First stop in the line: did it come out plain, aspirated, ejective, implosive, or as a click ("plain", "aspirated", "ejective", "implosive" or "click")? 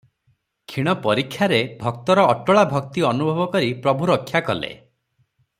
aspirated